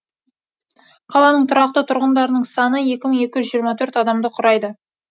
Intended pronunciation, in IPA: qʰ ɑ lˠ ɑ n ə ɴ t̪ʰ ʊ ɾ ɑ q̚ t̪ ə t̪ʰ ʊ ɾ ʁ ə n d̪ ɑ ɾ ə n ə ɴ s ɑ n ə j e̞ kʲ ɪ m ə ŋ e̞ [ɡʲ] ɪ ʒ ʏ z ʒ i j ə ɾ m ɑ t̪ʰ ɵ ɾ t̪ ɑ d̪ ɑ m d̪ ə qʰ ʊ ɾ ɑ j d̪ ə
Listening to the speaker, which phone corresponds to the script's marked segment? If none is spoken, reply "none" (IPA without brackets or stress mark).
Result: kʲ